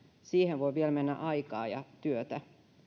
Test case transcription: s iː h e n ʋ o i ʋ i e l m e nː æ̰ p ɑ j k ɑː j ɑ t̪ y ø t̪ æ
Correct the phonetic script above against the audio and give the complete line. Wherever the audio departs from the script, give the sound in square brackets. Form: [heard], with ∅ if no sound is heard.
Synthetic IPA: s iː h e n ʋ o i ʋ i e l m e nː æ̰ [ʔ] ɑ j k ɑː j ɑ t̪ y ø t̪ æ